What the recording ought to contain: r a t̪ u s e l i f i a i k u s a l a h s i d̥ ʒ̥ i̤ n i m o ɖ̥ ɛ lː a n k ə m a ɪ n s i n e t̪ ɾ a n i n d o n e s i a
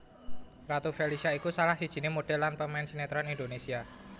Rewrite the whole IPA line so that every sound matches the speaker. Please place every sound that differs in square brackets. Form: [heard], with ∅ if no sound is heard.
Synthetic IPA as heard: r a t̪ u [f] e l i [s] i a i k u s a l a h s i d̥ ʒ̥ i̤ n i m o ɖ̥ ɛ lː a n [p] ə m a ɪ n s i n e t̪ ɾ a n i n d o n e s i a